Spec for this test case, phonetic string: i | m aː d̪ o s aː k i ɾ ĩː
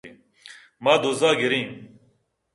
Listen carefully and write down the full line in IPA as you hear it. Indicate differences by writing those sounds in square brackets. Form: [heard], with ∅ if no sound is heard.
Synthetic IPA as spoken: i | m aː d̪ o [z] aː [ɡ] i ɾ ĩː